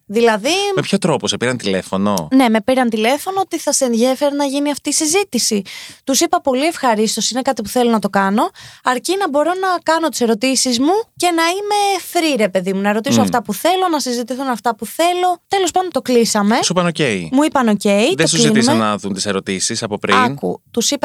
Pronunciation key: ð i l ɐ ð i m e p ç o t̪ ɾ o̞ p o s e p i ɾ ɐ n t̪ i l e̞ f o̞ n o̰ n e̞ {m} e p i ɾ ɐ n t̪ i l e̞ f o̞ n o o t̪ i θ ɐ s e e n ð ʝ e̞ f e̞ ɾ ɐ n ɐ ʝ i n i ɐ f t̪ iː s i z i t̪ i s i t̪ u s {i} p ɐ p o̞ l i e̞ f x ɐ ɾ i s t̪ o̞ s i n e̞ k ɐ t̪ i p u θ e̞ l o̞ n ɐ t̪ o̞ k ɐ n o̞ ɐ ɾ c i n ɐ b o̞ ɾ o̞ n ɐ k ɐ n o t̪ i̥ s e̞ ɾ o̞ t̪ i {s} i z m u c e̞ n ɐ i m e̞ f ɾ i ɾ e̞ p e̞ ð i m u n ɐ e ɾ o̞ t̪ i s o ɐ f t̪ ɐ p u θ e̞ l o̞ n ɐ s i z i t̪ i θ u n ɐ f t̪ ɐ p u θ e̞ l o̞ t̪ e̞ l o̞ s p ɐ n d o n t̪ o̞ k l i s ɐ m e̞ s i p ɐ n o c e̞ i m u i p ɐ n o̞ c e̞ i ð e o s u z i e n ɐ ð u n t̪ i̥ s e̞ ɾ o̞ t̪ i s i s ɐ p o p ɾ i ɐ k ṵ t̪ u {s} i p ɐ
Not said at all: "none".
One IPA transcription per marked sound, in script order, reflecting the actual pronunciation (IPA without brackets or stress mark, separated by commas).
m, i, s, s